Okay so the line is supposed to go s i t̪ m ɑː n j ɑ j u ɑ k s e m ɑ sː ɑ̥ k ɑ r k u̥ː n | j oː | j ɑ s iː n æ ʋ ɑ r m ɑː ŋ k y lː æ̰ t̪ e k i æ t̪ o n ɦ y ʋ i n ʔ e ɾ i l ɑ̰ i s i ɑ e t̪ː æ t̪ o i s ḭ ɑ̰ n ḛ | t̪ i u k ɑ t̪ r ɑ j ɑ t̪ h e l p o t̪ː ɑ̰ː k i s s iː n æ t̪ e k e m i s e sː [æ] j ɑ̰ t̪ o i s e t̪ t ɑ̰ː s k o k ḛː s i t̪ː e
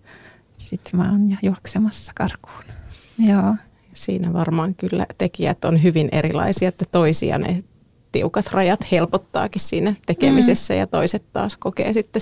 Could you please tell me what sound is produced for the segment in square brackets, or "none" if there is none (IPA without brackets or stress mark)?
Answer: æ